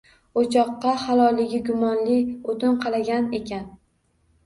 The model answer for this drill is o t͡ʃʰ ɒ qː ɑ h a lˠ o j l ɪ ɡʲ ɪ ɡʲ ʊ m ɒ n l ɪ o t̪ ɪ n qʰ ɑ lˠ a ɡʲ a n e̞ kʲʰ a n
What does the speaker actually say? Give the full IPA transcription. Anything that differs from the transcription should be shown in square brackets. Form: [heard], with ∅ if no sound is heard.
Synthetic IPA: o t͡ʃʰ ɒ qː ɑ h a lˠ [ɒ] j l ɪ ɡʲ ɪ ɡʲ ʊ m ɒ n l ɪ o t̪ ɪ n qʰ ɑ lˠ a ɡʲ a n e̞ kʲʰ a n